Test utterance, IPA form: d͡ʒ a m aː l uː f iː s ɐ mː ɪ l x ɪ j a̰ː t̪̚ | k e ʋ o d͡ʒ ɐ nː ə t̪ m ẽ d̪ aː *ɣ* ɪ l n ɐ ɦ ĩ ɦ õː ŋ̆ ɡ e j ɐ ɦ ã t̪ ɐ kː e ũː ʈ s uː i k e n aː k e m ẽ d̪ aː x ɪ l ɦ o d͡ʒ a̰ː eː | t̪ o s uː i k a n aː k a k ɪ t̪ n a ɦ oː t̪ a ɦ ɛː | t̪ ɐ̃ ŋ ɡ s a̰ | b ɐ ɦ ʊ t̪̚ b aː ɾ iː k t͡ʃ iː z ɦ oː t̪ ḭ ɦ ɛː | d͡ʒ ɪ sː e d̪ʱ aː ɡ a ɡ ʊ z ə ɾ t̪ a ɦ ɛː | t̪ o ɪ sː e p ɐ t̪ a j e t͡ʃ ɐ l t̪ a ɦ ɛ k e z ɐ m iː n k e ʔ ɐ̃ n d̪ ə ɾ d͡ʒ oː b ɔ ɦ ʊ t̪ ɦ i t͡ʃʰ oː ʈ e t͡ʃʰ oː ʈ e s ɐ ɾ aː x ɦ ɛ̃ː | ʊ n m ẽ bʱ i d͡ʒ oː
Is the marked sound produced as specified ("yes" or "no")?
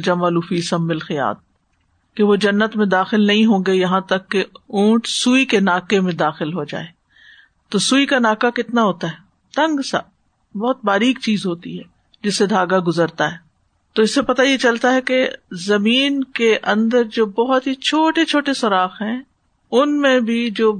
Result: no